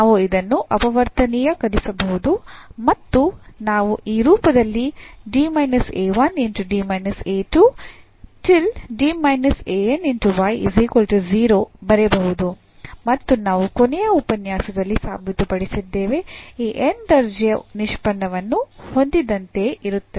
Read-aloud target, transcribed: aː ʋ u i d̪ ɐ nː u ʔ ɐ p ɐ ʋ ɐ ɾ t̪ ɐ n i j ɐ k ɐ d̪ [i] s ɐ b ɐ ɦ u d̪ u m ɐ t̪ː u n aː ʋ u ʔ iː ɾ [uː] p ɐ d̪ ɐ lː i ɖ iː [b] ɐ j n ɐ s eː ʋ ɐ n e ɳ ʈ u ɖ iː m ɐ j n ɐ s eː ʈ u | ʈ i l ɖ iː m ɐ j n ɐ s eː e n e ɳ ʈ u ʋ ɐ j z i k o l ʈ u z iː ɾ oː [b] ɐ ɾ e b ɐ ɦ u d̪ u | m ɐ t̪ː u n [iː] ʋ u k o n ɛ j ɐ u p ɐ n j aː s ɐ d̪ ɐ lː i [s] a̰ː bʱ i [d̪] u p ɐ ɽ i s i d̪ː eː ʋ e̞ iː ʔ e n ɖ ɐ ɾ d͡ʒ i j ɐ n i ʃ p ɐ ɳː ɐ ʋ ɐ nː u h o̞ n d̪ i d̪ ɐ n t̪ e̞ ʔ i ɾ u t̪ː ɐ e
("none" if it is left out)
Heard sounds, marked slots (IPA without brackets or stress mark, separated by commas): i, uː, m, b, aː, s, t̪